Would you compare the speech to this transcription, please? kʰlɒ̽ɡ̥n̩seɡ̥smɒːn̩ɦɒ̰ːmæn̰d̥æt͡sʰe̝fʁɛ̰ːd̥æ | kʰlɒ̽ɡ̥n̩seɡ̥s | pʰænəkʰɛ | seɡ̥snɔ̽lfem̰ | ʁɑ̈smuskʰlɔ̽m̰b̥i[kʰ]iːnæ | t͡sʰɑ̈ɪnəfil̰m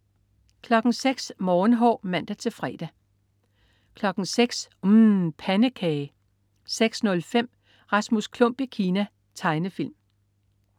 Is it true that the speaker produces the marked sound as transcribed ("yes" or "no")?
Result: yes